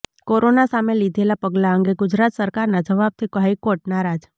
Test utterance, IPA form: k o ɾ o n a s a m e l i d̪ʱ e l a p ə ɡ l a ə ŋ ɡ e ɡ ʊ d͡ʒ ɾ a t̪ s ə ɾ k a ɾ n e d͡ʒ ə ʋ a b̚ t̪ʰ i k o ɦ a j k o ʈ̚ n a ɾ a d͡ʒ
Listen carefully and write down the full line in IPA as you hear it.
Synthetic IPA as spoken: k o ɾ o n a s a m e l i d̪ʱ e l a p ə ɡ l a ə ŋ ɡ e ɡ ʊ d͡ʒ ɾ a t̪ s ə ɾ k a ɾ n a d͡ʒ ə ʋ a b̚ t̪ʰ i k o ɦ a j k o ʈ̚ n a ɾ a d͡ʒ